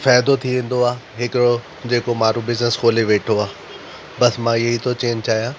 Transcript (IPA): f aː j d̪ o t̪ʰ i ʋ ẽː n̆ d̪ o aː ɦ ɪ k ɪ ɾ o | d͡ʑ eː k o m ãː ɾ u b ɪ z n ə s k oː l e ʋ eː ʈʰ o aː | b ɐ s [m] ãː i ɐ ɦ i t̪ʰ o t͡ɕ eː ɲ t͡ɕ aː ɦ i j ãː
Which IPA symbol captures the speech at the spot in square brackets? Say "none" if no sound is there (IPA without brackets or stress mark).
m